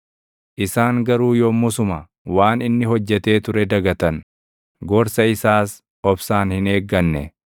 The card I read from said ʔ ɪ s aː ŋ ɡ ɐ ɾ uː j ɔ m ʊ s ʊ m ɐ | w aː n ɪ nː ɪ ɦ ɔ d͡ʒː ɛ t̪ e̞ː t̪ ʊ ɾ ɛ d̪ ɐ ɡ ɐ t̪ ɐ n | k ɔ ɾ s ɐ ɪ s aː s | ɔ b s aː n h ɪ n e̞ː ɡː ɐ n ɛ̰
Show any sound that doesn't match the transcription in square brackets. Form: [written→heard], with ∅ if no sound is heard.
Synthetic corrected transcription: ʔ ɪ s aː ŋ ɡ ɐ ɾ uː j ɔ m ʊ s ʊ m ɐ | w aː n ɪ nː ɪ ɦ ɔ d͡ʒː ɛ t̪ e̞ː t̪ ʊ ɾ ɛ d̪ ɐ ɡ ɐ t̪ ɐ n | [k→ɡ] ɔ ɾ s ɐ ɪ s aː s | ɔ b s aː n h ɪ n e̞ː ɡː ɐ [n→nː] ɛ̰